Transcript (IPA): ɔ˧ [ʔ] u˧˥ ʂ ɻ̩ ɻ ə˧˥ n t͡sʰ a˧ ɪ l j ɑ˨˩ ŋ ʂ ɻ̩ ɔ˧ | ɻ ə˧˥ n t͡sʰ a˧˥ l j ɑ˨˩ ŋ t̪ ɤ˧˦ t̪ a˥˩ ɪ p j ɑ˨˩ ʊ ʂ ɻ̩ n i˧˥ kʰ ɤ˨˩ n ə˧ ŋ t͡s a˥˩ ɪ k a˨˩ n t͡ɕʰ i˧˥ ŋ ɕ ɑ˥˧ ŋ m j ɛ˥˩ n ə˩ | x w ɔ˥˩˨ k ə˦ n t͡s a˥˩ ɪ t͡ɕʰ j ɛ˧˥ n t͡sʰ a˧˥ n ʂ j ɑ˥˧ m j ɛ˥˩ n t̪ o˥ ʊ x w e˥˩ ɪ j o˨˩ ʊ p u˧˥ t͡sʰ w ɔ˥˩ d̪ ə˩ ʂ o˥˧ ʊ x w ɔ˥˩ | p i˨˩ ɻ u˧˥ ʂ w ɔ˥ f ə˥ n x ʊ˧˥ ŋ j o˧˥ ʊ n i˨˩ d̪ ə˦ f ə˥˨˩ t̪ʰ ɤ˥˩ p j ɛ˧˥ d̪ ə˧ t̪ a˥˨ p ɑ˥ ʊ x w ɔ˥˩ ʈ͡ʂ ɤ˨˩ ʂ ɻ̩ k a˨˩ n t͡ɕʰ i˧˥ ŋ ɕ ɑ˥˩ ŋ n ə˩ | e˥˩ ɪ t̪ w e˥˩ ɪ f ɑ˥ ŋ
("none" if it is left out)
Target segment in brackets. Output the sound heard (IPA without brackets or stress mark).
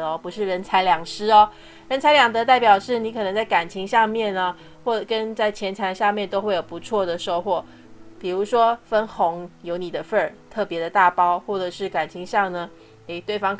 p